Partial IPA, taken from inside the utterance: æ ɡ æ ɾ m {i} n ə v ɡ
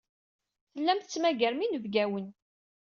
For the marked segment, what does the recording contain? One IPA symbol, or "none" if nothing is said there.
i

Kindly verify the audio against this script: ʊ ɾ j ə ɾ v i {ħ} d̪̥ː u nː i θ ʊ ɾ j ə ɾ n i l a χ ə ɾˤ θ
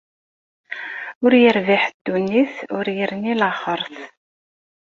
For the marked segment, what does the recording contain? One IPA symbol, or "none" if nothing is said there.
ħ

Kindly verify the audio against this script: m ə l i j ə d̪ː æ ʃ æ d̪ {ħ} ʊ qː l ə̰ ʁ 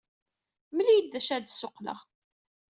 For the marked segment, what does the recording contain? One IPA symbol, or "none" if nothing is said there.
s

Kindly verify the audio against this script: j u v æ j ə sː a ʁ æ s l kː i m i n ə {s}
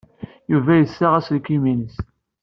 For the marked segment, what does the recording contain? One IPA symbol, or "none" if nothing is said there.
s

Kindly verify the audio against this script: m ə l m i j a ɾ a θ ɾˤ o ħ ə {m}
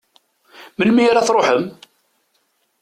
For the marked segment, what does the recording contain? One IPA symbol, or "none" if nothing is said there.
m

